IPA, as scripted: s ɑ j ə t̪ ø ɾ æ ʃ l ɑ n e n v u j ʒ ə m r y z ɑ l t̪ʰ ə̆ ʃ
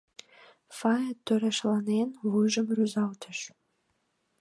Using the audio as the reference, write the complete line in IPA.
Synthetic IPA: f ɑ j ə t̪ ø ɾ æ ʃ l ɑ n e n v u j ʒ ə m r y z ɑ l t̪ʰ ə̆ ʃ